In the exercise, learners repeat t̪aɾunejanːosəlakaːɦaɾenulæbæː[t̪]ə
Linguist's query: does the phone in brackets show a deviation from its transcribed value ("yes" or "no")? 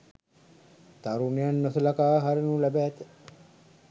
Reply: no